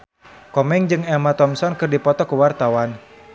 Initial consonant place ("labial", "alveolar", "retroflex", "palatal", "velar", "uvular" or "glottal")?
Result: velar